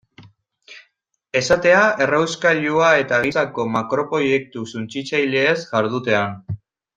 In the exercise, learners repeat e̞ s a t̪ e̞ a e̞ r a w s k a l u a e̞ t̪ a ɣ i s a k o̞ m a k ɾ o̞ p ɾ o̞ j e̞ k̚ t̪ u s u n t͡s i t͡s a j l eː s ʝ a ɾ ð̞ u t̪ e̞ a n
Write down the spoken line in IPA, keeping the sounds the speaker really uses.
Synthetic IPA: e̞ s a t̪ e̞ a e̞ r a w s k a ʎ u a e̞ t̪ a ɣ i s a k o̞ m a k ɾ o̞ p ɾ o̞ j e̞ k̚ t̪ u s u n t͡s i t͡s a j l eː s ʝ a ɾ ð̞ u t̪ e̞ a n